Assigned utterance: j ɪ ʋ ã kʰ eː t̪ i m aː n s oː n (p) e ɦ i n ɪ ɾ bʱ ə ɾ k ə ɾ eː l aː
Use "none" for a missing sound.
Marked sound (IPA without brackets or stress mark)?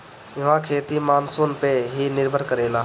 p